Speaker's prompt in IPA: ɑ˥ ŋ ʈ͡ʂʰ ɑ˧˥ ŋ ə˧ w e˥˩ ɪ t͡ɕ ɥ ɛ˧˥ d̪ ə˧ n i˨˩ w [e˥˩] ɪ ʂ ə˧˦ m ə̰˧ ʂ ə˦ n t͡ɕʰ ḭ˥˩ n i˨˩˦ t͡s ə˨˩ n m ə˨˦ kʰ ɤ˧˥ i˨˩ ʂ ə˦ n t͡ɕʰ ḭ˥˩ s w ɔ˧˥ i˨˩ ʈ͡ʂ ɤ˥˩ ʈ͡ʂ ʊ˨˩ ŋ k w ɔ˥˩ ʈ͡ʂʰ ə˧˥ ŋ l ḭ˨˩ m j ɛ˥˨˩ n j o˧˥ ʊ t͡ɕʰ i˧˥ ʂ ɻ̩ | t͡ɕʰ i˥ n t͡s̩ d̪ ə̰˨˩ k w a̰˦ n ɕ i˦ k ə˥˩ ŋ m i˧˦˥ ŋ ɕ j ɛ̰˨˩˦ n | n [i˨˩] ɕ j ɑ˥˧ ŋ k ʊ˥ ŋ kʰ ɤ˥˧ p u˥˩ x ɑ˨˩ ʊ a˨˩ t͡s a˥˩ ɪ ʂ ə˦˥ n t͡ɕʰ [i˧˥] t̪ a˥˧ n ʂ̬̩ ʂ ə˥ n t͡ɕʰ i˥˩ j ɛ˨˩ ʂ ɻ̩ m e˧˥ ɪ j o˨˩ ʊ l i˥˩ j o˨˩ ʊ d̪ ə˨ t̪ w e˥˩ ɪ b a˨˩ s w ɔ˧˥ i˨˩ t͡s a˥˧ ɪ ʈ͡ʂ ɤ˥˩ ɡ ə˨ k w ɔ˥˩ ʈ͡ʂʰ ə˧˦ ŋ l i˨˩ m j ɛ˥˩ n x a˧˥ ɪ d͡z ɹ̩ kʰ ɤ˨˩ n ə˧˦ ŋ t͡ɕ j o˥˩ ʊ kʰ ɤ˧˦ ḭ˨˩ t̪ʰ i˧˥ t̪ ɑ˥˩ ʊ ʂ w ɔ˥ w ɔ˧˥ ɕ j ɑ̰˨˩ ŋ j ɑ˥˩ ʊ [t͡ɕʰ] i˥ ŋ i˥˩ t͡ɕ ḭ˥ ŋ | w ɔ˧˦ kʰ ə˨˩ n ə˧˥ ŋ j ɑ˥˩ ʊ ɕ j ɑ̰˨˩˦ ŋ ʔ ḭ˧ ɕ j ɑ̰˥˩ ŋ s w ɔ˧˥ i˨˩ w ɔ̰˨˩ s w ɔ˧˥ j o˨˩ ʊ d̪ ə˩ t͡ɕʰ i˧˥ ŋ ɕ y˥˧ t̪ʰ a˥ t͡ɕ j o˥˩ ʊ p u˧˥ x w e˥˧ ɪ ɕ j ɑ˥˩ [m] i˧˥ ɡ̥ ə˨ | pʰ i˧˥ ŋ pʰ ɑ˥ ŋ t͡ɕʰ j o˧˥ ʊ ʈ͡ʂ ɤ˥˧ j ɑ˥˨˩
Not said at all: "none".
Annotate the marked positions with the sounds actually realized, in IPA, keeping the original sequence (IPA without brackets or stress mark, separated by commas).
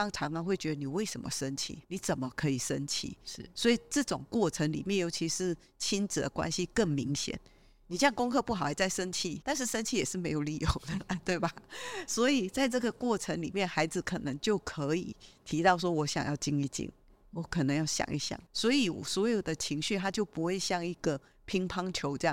e˥˩, i˨˩, i˥˩, t͡ɕ, ŋ